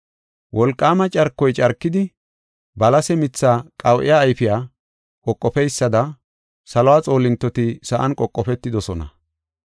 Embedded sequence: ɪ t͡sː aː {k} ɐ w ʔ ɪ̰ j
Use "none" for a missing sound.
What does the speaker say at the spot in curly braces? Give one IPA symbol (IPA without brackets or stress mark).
kʼ